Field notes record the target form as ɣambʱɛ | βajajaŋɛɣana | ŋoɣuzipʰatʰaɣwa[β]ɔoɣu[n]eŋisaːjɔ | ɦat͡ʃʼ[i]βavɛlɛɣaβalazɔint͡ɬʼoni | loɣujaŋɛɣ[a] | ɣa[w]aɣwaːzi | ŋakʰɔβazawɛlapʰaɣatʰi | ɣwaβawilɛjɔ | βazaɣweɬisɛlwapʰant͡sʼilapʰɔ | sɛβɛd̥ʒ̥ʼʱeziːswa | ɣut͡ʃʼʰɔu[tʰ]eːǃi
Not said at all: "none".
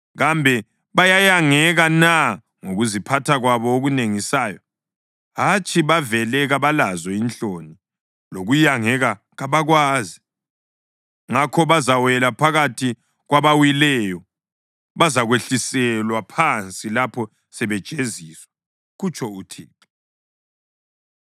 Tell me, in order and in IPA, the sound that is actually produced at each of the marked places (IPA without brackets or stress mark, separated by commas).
β, n, i, a, β, tʰ